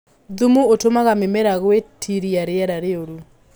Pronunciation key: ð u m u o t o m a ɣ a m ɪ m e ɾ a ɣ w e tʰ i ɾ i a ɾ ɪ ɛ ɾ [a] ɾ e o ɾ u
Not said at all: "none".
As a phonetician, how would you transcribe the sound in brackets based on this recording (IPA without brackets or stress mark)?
a